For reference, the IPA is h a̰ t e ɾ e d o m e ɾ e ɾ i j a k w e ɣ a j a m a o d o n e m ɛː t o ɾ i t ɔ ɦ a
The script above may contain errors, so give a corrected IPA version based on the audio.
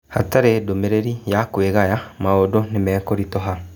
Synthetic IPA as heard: h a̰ t a ɾ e d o m e ɾ e ɾ i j a k w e ɣ a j a m a o d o n e m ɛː k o ɾ i t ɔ ɦ a